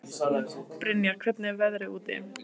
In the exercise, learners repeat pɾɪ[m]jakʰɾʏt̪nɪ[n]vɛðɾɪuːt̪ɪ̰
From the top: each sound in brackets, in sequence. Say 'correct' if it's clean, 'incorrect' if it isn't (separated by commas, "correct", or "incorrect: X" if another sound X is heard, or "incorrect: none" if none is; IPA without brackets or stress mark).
incorrect: n, incorrect: none